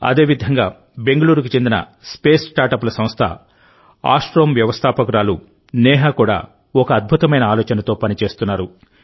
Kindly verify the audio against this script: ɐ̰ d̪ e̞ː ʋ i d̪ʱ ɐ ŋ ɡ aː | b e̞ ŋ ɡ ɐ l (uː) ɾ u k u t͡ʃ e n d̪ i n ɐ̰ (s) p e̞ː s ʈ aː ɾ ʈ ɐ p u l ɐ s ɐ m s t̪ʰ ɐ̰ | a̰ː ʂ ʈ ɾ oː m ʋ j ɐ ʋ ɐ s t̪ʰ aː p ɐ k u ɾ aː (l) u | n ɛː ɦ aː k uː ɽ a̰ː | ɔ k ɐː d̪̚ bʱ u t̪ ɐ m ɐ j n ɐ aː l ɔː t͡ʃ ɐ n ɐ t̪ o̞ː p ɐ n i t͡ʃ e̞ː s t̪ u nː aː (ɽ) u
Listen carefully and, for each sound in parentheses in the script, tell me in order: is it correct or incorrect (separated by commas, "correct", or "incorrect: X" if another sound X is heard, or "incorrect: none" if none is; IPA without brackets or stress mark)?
correct, correct, correct, incorrect: ɾ